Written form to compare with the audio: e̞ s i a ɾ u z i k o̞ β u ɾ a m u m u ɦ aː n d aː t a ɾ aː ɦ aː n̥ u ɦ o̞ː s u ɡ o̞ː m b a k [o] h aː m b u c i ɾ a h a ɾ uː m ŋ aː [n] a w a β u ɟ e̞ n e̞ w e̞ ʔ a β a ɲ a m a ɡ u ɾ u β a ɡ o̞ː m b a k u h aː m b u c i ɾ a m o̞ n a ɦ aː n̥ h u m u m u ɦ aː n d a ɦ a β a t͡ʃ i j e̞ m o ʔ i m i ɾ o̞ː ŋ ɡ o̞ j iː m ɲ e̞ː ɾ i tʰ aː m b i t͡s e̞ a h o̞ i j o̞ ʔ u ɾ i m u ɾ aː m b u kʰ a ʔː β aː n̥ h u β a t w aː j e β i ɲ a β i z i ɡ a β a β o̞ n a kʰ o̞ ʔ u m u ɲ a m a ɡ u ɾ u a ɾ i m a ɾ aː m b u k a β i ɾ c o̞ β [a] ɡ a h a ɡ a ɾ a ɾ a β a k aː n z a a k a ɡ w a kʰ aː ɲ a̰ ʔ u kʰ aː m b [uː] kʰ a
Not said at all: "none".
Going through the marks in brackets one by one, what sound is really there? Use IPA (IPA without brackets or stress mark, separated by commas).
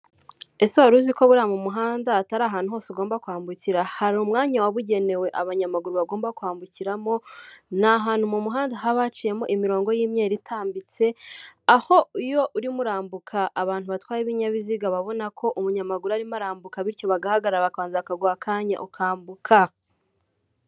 u, ɲ, a, u